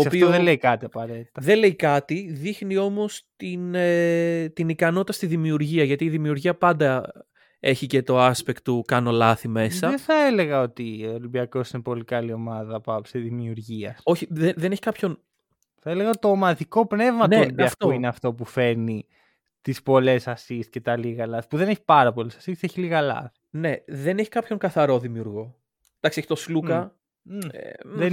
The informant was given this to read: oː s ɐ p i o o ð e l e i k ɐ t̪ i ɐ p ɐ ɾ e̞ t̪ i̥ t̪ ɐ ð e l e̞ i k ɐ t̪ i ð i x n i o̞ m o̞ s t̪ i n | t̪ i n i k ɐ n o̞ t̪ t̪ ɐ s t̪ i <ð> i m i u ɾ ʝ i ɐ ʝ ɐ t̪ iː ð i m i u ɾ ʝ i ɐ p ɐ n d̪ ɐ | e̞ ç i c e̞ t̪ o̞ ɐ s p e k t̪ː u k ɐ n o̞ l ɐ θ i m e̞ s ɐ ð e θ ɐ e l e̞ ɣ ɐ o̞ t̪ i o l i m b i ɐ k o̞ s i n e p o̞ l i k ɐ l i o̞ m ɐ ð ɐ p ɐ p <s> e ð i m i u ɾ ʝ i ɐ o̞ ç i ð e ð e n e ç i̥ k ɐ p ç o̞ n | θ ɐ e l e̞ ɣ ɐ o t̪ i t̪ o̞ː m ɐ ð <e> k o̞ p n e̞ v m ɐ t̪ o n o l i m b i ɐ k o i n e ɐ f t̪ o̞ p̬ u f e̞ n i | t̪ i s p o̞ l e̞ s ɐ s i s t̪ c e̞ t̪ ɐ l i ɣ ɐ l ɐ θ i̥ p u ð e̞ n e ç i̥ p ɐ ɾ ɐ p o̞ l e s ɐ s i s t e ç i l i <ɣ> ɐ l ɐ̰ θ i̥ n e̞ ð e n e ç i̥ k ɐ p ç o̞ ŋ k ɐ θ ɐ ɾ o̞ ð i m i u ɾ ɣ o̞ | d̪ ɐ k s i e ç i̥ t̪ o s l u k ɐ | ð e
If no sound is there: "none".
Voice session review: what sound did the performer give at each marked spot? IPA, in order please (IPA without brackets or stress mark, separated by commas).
ð, s, i, ɣ